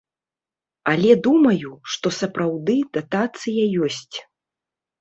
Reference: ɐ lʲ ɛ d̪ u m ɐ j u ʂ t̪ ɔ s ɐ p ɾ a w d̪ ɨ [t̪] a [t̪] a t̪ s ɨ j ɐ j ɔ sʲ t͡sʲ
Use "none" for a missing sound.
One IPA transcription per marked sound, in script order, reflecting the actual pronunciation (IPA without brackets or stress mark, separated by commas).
d̪, t̪